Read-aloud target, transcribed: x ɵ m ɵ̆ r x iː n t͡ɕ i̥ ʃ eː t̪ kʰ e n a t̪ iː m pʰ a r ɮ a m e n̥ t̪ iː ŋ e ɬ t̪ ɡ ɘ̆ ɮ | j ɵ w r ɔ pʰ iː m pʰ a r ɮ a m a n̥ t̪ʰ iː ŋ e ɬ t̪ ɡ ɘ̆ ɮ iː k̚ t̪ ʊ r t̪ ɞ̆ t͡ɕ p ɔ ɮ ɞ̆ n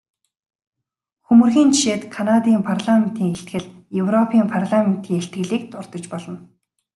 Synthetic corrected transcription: x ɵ m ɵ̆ r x iː n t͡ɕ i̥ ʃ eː t̪ kʰ a n a t̪ iː m pʰ a r ɮ a m e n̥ t̪ iː ŋ e ɬ t̪ ɡ ɘ̆ ɮ | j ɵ w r ɔ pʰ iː m pʰ a r ɮ a m e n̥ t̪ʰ iː ŋ e ɬ t̪ ɡ ɘ̆ ɮ iː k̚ t̪ ʊ r t̪ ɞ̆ t͡ɕ p ɔ ɮ ɞ̆ n